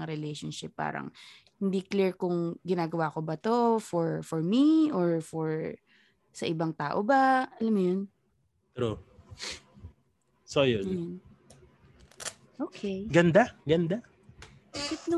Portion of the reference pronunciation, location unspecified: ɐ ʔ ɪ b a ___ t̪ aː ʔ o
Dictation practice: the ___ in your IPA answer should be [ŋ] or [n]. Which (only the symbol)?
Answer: ŋ